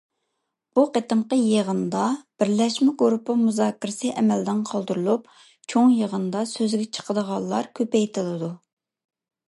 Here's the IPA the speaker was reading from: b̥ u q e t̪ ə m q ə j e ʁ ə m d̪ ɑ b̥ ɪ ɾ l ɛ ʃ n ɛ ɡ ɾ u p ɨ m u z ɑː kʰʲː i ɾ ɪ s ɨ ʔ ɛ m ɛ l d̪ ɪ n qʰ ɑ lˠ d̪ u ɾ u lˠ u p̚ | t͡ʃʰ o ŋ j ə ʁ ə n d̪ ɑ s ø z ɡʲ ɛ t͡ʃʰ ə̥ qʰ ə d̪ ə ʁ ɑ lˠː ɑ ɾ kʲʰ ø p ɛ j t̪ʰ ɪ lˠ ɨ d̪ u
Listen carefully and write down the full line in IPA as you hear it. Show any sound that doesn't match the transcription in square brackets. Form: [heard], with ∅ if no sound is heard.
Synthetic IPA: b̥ u q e t̪ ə m q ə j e ʁ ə [n] d̪ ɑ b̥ ɪ ɾ l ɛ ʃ [m] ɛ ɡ ɾ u p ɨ m u z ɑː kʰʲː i ɾ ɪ s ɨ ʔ ɛ m ɛ l d̪ ɪ n qʰ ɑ lˠ d̪ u ɾ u lˠ u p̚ | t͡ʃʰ o ŋ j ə ʁ ə n d̪ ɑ s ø z ɡʲ ɛ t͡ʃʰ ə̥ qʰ ə d̪ ə ʁ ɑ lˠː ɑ ɾ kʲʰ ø p ɛ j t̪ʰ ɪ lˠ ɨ d̪ u

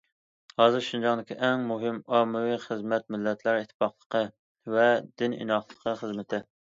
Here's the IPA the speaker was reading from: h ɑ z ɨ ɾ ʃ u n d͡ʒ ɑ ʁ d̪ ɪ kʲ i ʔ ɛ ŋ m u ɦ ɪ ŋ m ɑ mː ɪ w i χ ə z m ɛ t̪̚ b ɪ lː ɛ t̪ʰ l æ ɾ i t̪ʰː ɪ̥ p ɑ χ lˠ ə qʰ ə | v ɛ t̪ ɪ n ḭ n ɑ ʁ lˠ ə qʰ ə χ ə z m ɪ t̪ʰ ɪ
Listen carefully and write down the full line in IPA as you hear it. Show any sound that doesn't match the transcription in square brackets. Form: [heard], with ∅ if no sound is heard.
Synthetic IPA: h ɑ z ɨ ɾ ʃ u n d͡ʒ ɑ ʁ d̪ ɪ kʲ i ʔ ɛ ŋ m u ɦ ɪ [∅] m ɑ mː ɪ w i χ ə z m ɛ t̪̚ [m] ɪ lː ɛ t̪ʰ l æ ɾ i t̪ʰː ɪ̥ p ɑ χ lˠ ə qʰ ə | v ɛ [d̪] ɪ n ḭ n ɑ [χ] lˠ ə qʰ ə χ ə z m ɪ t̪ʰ ɪ

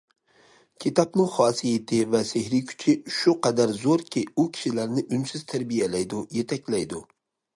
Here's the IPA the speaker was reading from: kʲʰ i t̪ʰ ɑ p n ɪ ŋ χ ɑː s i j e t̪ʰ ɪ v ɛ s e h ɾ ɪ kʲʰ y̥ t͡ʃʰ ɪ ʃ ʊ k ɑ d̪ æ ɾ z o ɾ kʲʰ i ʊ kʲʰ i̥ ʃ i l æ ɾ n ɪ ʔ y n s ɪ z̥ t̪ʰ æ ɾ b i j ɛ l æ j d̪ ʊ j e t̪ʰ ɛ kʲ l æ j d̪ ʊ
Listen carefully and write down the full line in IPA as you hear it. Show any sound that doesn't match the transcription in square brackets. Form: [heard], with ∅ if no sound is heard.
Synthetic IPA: kʲʰ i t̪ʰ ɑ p n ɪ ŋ χ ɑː s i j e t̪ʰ ɪ v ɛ s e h ɾ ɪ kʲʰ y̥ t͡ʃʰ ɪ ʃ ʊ [q] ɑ d̪ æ ɾ z o ɾ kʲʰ i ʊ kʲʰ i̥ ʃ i l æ ɾ n ɪ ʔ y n s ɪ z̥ t̪ʰ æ ɾ b i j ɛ l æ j d̪ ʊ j e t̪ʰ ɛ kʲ l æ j d̪ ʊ

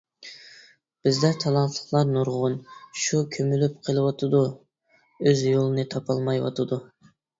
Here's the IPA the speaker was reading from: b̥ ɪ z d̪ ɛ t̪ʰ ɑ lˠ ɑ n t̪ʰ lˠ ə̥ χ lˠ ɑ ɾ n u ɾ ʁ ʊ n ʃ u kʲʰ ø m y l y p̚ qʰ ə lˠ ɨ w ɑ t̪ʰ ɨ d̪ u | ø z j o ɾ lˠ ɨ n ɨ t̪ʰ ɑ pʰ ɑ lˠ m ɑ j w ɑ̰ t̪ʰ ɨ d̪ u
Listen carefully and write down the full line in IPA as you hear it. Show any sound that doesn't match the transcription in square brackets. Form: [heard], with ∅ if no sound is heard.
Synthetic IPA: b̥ ɪ z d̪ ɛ t̪ʰ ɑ lˠ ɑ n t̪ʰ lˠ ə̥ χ lˠ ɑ ɾ n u ɾ ʁ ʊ n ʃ u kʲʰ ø m y l y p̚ qʰ ə lˠ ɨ w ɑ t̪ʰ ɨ d̪ u | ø z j o [∅] lˠ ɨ n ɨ t̪ʰ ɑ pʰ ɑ lˠ m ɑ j w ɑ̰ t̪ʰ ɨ d̪ u

